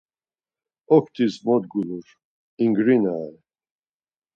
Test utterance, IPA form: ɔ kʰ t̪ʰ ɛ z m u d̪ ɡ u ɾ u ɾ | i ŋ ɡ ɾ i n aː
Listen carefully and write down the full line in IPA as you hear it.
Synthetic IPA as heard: ɔ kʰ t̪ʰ i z m ɔ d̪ ɡ u l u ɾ | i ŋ ɡ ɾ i n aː